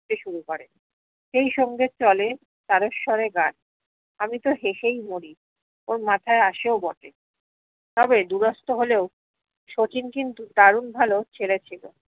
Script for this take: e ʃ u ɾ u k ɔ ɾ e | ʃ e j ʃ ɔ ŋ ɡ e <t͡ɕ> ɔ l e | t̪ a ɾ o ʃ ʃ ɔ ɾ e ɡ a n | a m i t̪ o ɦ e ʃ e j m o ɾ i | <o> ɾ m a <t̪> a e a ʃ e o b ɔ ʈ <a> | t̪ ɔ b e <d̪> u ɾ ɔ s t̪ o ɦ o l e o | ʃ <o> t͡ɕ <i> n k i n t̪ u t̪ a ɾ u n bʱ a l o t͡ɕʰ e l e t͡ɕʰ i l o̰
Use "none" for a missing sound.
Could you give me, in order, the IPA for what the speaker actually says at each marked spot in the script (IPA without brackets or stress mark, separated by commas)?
t͡ɕ, o, t̪ʰ, e, d̪, o, i